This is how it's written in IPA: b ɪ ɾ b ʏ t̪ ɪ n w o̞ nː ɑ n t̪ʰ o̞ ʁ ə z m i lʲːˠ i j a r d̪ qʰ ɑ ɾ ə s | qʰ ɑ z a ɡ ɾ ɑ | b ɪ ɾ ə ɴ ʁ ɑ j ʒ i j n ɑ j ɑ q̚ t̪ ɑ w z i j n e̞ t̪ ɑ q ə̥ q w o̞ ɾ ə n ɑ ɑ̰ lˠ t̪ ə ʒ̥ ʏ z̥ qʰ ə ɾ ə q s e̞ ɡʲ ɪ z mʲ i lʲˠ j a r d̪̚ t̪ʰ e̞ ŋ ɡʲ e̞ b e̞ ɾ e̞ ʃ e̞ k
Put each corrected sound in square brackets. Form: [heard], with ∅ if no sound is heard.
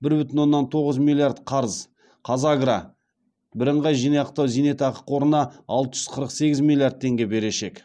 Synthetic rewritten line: b ɪ ɾ b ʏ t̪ ɪ n w o̞ nː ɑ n t̪ʰ o̞ ʁ ə z m i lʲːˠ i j a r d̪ qʰ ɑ ɾ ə [z] | qʰ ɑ z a ɡ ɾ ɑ | b ɪ ɾ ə ɴ ʁ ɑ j ʒ i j n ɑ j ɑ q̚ t̪ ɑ w z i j n e̞ t̪ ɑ q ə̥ q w o̞ ɾ ə n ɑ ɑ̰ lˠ t̪ ə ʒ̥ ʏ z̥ qʰ ə ɾ ə q s e̞ ɡʲ ɪ z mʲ i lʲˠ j a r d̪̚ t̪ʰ e̞ ŋ ɡʲ e̞ b e̞ ɾ e̞ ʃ e̞ k